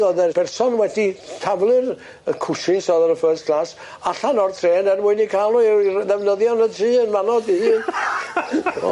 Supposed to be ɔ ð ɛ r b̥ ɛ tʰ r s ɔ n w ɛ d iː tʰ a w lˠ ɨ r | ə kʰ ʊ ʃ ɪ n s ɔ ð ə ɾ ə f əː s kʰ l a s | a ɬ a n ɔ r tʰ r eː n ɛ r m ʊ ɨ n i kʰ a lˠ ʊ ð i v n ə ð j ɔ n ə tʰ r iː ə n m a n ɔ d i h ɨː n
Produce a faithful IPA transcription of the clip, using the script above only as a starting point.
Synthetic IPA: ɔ ð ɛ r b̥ ɛ r s ɔ n w ɛ d i tʰ a v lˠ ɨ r | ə kʰ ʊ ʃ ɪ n s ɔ ð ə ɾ ə f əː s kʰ l a s | a ɬ a n ɔ r tʰ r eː n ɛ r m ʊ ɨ n i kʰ a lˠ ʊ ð ɛ v n ə ð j ɔ n ə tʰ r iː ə n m a n ɔ d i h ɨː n